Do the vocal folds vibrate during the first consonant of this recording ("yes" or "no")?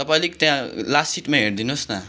no